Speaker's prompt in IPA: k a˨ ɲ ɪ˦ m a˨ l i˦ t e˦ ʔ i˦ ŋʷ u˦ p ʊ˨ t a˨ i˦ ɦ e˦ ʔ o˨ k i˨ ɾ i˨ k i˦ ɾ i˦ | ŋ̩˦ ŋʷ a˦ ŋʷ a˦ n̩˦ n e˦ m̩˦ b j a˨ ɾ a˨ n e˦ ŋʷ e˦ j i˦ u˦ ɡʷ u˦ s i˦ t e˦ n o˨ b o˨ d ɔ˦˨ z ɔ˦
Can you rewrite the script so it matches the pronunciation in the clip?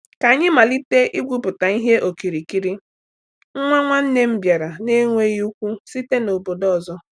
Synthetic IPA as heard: k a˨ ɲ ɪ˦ m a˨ l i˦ t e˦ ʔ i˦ ɡʷ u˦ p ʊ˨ t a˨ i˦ ɦ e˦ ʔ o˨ k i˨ ɾ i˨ k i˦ ɾ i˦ | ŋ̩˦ ŋʷ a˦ ŋʷ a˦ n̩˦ n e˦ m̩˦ b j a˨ ɾ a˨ n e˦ ŋʷ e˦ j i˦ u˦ kʷ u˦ s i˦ t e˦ n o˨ b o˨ d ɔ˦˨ z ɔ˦

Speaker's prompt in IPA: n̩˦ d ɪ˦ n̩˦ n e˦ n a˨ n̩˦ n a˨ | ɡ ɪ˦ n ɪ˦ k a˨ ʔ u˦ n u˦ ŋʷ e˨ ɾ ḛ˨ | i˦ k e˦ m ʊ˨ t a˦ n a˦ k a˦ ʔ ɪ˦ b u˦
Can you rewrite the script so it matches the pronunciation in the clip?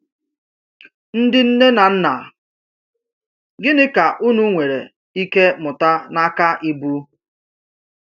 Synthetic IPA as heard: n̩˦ d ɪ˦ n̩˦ n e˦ n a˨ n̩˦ n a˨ | ɡ ɪ˦ n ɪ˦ k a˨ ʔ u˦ n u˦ ŋʷ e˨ ɾ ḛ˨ | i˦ k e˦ m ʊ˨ t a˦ n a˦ k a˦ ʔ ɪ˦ b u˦

